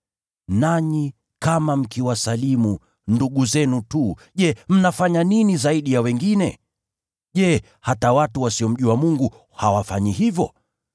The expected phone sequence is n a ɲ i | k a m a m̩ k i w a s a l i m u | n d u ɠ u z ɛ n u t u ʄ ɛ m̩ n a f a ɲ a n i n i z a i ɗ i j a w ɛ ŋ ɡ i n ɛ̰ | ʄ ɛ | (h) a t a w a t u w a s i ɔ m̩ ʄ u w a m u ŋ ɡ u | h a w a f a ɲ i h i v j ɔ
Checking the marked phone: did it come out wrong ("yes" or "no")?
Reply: no